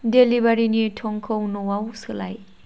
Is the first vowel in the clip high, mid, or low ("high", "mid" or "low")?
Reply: mid